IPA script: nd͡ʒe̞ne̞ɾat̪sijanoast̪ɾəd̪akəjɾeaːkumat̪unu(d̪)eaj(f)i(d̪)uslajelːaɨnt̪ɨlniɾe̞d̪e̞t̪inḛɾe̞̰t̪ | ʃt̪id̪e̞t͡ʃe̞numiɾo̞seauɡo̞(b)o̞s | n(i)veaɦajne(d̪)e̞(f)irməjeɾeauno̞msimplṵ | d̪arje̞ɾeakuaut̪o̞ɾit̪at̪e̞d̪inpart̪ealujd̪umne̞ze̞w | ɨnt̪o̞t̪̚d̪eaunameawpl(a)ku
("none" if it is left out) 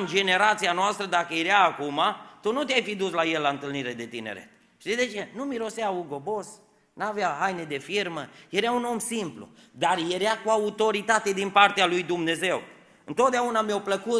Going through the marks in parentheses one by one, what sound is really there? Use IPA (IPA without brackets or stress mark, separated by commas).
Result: t̪, f, d̪, b, a, d̪, f, ə